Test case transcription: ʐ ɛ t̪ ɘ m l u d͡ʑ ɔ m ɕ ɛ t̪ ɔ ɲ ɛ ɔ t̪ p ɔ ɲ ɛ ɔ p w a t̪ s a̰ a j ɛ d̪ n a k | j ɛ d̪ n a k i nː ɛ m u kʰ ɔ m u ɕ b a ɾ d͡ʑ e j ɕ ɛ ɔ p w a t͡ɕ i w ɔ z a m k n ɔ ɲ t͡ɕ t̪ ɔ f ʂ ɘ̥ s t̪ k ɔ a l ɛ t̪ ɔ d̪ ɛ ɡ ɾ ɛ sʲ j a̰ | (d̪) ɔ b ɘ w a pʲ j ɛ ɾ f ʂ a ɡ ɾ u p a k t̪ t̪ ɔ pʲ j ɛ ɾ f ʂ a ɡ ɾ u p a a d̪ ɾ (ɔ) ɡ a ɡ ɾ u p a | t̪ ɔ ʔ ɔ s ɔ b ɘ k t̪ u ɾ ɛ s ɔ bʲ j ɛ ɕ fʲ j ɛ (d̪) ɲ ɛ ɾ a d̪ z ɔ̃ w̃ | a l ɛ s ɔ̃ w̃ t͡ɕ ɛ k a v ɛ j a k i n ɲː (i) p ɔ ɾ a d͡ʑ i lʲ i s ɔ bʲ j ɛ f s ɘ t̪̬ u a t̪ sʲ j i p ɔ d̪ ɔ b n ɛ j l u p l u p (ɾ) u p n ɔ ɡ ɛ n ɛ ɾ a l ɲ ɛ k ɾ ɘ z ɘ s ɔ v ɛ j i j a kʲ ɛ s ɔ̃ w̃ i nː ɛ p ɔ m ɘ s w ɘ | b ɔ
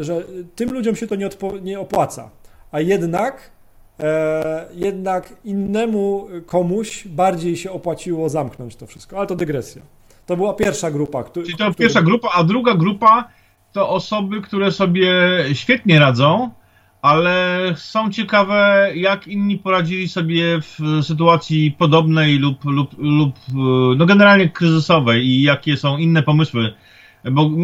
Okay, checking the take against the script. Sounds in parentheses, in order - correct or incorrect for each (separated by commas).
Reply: incorrect, incorrect, incorrect, correct, incorrect